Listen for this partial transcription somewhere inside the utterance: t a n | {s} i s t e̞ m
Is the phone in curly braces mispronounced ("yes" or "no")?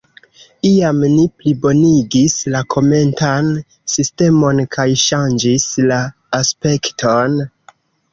no